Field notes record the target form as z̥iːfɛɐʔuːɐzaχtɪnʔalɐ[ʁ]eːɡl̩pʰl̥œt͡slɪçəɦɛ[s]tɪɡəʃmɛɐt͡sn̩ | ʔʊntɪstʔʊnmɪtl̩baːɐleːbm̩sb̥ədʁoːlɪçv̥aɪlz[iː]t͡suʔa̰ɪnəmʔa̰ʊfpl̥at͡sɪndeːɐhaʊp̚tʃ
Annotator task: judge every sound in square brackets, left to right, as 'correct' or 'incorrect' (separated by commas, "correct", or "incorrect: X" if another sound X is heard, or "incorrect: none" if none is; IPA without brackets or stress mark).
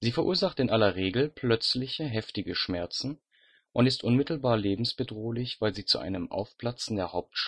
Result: correct, incorrect: f, correct